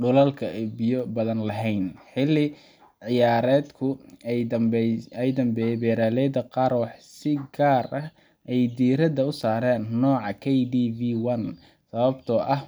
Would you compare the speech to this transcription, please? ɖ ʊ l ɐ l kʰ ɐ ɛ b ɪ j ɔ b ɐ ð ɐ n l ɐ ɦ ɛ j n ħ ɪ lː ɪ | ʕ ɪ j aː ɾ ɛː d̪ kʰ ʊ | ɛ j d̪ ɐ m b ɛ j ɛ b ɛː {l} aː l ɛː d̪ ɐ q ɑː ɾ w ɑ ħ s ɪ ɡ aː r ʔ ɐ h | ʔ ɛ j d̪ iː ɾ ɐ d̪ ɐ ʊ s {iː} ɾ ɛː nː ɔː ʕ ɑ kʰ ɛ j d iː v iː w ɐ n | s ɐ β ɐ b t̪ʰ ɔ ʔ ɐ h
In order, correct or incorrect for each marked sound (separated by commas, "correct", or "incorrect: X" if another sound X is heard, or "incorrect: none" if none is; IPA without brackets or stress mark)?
incorrect: ɾ, incorrect: aː